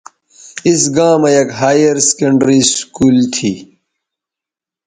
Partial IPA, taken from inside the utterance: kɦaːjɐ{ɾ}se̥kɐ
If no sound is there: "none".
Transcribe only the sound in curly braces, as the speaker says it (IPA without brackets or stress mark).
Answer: ɾ